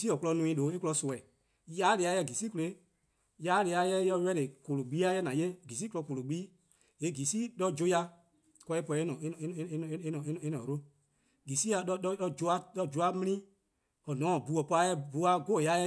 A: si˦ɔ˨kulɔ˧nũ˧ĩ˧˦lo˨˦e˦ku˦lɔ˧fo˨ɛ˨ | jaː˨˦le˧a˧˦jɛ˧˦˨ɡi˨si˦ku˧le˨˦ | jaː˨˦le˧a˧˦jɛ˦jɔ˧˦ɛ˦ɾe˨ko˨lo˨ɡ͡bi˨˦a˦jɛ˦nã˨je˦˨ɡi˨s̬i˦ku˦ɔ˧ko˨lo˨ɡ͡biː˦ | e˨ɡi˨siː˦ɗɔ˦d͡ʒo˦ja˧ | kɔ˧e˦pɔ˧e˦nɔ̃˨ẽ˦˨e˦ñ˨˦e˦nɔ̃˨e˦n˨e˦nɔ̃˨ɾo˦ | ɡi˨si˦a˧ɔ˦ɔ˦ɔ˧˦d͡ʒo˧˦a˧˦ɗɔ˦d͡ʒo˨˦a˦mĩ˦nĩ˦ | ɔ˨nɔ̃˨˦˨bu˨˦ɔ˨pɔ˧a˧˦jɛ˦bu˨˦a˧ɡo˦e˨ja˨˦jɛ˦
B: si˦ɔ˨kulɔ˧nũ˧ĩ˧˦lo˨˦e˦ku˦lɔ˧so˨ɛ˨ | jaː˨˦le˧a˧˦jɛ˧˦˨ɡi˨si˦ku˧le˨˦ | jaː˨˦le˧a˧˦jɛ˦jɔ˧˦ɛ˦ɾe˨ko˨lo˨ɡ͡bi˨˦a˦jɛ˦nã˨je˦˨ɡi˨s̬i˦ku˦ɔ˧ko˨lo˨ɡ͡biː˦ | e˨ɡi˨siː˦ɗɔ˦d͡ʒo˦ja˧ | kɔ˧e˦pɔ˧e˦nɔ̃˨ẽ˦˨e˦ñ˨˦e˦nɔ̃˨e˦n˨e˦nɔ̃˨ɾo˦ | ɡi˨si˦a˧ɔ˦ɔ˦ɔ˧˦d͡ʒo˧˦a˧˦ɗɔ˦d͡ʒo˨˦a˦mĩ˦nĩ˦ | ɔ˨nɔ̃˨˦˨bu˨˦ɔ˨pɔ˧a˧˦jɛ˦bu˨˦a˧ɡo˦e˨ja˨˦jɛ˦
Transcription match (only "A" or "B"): B